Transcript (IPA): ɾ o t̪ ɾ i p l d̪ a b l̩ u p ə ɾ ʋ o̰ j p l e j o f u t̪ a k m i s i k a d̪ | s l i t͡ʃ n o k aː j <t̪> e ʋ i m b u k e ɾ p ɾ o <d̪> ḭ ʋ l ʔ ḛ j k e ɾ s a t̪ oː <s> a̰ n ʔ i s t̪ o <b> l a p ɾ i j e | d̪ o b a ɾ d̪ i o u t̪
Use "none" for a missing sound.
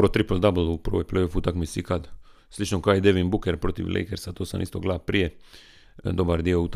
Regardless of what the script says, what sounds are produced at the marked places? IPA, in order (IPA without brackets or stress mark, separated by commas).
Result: d̪, t̪, s, ɡ